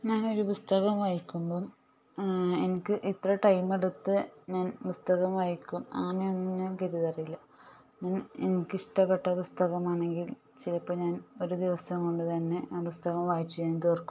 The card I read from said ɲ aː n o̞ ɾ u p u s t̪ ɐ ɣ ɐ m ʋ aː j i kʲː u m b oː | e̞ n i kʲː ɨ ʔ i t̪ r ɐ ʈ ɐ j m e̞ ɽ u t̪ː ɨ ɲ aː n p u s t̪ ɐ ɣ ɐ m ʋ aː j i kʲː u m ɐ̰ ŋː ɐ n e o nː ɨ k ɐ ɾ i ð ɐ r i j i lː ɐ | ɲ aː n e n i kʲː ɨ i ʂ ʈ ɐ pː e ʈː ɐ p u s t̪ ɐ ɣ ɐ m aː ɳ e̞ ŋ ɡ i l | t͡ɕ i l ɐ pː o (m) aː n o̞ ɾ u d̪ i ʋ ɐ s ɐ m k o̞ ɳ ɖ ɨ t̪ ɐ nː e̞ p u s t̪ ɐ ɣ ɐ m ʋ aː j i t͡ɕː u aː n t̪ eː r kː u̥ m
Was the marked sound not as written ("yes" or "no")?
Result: yes